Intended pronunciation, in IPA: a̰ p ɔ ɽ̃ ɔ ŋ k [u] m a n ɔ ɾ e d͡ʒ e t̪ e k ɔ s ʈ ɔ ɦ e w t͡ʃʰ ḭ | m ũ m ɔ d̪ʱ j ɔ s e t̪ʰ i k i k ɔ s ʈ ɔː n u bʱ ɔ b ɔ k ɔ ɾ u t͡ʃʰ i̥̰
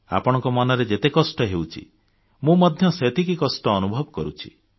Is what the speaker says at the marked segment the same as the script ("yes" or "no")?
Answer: no